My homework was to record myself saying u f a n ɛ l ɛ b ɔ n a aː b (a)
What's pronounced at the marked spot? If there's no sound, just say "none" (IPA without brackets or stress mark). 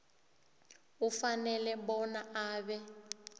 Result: ɛ